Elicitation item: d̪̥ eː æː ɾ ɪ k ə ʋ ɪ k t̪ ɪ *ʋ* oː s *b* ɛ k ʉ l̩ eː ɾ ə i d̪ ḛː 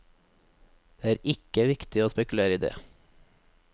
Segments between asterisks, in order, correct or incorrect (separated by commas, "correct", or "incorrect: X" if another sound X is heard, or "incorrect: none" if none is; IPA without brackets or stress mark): incorrect: none, incorrect: p